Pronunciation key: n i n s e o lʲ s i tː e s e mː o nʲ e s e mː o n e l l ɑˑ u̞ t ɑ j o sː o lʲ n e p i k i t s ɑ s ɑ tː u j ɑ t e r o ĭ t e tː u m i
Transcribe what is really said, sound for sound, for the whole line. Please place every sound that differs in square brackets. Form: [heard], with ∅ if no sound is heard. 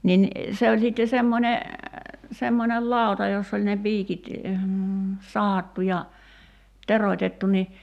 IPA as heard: n i n s e o lʲ s i tː e s e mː o nʲ e s e mː o n e l l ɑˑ u̞ t ɑ j o sː o lʲ n e p [iː] k i t s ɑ [h] ɑ tː u j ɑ t e r o ĭ t e tː u [n] i